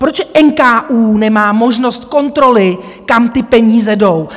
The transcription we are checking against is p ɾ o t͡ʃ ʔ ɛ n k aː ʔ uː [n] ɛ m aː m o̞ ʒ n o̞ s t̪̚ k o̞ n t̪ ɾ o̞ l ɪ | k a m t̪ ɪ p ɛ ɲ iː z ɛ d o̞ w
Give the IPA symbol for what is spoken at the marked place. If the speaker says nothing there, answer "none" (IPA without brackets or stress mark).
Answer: n